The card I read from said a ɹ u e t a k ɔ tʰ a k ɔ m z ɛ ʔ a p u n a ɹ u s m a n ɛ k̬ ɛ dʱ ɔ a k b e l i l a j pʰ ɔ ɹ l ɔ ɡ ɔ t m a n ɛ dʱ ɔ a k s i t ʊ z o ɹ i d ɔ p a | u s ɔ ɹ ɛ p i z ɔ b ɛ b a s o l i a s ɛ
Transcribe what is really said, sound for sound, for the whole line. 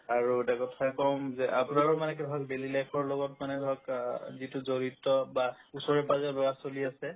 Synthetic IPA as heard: a ɹ u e t a k ɔ tʰ a k ɔ m z ɛ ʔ a p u n a ɹ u m a n ɛ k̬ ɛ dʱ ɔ a k b e l i l a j pʰ ɔ ɹ l ɔ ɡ ɔ t m a n ɛ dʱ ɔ a k z i t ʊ z o ɹ i t ɔ b a | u s ɔ ɹ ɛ p a z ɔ b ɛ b a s o l i a s ɛ